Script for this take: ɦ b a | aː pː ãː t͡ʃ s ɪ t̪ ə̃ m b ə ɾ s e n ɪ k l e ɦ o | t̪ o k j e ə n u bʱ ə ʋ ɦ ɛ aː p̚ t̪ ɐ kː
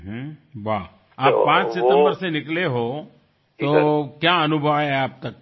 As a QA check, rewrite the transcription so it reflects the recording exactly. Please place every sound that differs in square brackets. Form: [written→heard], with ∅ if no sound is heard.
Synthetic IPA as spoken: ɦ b a | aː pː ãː t͡ʃ s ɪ t̪ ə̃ m b ə ɾ s e n ɪ k l e ɦ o | t̪ o k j [e→a] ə n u bʱ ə ʋ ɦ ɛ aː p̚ t̪ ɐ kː